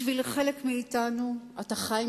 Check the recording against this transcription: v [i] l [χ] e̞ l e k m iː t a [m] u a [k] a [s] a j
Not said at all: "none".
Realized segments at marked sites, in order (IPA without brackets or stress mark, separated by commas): i, χ, n, t, χ